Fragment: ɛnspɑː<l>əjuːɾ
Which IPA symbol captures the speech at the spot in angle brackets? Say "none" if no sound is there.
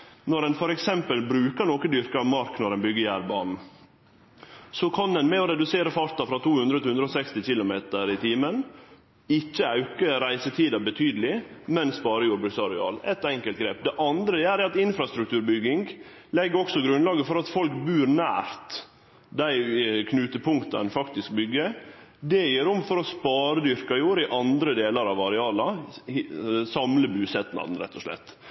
ɾ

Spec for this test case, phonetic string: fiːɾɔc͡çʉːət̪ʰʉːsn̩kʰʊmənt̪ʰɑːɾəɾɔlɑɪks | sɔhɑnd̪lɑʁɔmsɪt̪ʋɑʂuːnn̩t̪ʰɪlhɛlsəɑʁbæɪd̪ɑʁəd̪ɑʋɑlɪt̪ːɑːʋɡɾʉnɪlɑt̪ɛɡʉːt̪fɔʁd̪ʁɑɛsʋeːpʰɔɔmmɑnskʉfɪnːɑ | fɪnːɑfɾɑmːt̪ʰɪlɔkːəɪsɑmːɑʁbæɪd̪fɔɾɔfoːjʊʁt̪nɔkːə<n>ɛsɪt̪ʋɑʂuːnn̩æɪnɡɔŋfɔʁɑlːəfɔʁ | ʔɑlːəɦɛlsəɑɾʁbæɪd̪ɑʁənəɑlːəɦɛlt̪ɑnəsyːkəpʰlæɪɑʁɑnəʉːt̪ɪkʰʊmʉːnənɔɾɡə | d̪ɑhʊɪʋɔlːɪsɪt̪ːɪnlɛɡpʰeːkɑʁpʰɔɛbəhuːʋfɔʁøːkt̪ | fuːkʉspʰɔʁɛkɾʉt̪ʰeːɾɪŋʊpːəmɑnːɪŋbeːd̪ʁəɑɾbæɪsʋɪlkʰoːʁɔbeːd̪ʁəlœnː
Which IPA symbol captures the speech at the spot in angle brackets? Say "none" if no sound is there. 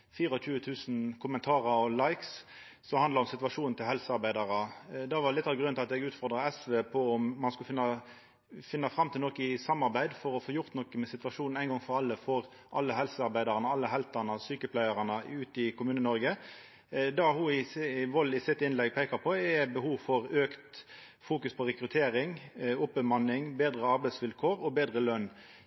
m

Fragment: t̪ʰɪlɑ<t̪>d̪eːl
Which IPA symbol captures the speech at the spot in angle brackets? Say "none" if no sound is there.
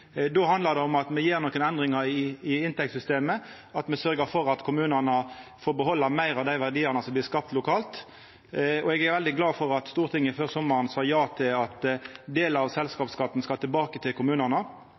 t̪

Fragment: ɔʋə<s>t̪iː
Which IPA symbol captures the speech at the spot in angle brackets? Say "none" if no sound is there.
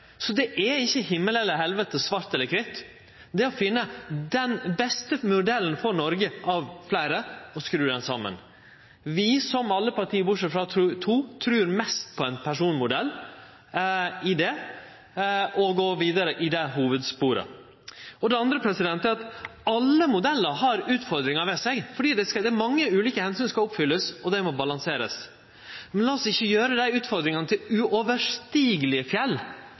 ʂ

